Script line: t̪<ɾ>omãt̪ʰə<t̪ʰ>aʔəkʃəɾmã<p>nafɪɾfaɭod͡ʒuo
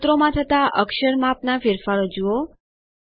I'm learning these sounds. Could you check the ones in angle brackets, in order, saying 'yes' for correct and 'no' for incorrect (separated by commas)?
yes, no, yes